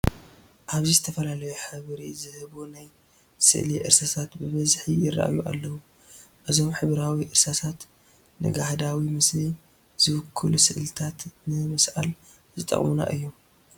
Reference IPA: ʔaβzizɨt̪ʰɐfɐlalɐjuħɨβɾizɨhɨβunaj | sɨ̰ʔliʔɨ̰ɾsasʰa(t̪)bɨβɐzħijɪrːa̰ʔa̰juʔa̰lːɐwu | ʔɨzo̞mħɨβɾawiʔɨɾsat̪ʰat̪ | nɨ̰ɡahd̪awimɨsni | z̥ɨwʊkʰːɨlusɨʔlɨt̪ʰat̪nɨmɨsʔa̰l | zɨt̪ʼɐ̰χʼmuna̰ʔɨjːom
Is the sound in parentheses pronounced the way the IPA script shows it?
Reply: yes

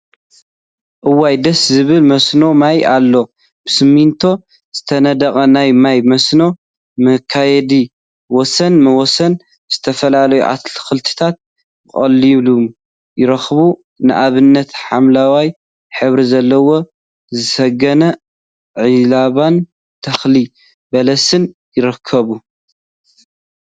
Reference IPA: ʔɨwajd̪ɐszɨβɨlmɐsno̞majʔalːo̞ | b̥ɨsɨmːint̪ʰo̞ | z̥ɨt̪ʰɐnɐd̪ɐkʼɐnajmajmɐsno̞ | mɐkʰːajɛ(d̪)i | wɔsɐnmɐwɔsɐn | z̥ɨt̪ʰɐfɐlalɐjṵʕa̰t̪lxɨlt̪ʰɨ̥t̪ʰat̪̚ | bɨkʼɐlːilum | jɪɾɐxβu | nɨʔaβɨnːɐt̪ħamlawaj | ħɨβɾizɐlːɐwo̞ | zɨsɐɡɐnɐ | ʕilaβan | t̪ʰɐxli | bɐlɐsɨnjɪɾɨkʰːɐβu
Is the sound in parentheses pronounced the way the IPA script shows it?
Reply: yes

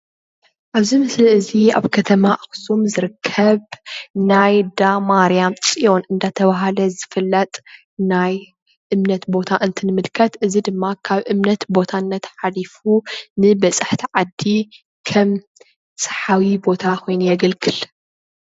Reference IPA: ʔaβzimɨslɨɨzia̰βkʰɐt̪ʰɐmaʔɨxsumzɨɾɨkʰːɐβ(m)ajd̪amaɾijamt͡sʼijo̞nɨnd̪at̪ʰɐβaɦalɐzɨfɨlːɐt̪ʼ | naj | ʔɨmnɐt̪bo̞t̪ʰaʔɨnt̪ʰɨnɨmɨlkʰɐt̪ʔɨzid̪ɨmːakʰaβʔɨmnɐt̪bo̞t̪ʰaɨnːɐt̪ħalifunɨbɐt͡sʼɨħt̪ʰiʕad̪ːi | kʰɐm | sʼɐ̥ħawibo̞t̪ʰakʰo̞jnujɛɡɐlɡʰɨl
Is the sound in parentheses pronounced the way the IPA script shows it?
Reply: no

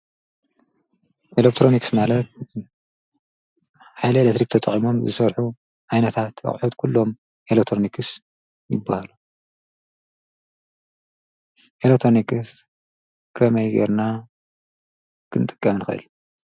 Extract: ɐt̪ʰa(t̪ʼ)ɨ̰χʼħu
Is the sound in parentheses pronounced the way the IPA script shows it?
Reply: no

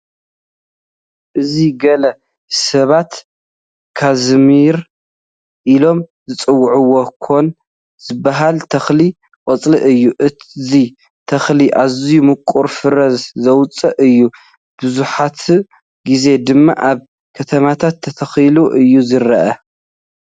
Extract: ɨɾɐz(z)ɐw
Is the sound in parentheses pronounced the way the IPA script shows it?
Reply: yes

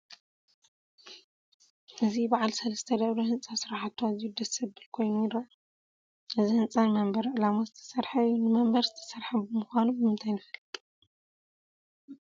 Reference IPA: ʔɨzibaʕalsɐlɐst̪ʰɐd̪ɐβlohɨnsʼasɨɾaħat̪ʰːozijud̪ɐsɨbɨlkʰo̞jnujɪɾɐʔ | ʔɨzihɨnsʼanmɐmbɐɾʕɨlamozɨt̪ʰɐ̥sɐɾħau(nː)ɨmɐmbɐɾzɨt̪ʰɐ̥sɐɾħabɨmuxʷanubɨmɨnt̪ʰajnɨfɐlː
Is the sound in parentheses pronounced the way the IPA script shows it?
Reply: no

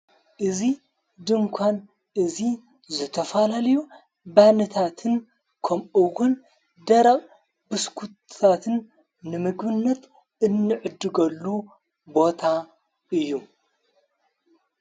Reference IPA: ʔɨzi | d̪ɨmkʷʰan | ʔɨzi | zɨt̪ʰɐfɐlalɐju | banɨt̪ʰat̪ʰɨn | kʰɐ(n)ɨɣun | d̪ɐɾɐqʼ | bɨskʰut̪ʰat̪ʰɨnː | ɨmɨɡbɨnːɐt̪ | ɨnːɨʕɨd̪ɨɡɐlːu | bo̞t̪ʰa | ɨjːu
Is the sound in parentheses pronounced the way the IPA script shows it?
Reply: no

